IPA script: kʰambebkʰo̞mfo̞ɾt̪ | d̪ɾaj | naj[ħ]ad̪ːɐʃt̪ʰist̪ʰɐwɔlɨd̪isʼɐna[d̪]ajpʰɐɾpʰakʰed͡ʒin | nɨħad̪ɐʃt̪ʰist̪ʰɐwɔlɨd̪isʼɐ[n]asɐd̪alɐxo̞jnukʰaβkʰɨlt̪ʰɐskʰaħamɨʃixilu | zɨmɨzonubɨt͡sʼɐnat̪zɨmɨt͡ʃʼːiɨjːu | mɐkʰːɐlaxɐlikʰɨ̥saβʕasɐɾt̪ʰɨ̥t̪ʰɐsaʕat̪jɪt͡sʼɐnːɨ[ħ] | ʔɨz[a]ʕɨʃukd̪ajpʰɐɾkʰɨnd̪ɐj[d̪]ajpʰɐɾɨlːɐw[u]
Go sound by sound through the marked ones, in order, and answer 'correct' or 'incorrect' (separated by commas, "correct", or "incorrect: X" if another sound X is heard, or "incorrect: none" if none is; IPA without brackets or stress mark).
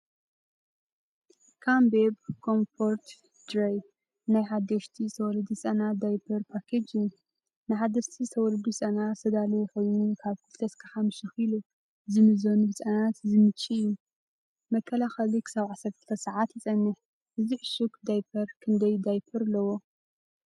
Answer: correct, correct, correct, correct, incorrect: i, correct, incorrect: o